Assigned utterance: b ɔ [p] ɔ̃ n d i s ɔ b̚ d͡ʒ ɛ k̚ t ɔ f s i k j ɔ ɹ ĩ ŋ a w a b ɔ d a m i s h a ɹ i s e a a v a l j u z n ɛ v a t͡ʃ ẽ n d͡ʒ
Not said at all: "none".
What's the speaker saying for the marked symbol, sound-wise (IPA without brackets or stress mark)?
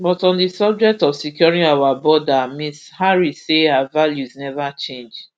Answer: t